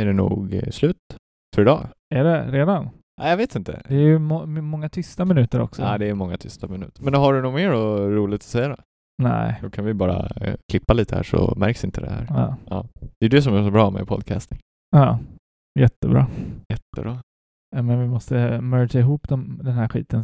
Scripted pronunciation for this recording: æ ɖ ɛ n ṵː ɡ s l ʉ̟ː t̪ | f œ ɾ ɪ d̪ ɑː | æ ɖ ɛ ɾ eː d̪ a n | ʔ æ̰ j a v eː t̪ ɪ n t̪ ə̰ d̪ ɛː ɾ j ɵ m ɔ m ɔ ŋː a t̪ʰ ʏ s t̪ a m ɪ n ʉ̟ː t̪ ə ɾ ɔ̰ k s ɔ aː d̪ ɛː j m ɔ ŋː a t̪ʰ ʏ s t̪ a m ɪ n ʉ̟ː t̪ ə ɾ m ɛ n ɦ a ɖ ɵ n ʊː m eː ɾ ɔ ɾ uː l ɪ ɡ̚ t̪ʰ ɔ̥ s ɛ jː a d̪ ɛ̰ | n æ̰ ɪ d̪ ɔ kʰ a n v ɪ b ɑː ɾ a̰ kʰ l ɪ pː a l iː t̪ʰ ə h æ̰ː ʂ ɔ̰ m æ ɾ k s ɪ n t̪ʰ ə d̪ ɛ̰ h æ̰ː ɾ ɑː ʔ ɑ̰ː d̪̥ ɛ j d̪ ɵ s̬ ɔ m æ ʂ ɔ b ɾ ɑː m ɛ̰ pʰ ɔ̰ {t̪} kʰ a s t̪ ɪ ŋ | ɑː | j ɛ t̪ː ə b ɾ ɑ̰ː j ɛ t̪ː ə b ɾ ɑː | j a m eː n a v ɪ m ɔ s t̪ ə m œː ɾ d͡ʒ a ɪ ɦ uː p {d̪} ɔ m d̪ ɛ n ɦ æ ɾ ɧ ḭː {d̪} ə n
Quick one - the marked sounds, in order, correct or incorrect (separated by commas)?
incorrect, correct, incorrect